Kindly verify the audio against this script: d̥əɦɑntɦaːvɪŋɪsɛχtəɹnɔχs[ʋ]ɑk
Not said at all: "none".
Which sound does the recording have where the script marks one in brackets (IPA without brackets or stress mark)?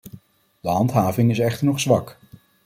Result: ʋ